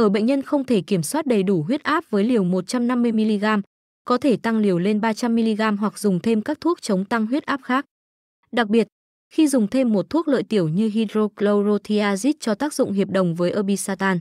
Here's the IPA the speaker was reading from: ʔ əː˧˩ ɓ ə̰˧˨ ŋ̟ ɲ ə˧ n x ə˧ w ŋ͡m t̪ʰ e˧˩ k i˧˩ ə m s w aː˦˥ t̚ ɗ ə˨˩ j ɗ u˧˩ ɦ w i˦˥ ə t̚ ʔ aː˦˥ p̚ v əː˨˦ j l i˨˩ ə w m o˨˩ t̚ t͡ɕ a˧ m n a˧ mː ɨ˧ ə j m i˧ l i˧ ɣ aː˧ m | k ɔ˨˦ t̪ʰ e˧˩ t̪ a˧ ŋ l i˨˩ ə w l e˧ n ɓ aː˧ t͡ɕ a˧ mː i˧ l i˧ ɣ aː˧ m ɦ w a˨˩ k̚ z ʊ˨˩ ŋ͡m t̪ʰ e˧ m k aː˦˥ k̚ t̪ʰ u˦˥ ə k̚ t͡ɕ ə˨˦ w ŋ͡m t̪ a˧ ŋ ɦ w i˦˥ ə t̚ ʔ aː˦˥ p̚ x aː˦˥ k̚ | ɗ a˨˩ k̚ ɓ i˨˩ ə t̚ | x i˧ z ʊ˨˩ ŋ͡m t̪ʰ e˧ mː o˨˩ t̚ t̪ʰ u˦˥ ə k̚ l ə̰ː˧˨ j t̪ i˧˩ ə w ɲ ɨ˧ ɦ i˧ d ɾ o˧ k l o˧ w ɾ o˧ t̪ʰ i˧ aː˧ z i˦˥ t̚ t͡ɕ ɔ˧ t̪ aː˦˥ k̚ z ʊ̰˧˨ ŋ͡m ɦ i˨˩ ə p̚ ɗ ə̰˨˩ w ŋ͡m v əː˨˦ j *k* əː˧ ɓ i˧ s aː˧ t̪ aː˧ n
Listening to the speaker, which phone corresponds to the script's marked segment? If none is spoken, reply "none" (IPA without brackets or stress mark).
ʔ